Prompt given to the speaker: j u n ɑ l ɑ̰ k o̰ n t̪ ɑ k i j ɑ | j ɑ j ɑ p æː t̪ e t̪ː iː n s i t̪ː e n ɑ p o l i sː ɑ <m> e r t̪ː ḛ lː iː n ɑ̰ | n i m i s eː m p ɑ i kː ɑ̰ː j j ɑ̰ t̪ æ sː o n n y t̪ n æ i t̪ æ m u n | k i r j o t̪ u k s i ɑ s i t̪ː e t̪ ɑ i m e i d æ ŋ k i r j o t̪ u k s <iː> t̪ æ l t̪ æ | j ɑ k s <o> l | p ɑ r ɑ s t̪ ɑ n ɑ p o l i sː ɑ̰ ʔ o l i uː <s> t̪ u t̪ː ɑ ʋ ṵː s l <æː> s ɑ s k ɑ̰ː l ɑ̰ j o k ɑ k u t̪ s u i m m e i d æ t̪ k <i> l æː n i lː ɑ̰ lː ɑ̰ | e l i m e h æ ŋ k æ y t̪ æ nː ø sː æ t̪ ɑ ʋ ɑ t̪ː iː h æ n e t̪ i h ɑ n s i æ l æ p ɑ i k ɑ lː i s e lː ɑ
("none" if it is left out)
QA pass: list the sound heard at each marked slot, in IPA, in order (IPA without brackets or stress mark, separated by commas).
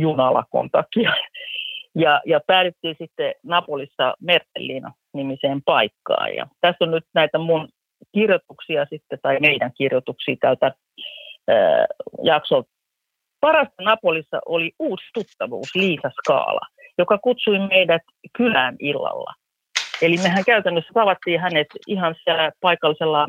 m, iː, o, s, iː, y